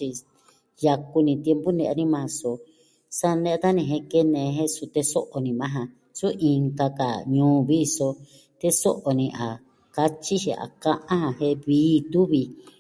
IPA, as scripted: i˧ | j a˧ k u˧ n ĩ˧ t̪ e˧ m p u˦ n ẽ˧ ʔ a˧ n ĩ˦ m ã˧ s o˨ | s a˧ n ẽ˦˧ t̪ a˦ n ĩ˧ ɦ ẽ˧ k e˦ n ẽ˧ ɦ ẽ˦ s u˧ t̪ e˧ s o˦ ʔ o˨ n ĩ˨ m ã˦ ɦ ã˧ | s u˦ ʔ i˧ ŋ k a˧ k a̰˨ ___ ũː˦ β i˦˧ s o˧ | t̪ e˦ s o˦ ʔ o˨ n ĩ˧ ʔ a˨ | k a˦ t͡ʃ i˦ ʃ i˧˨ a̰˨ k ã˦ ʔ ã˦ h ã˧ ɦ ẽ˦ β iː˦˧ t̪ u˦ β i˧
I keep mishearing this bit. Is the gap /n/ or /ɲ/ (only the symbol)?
ɲ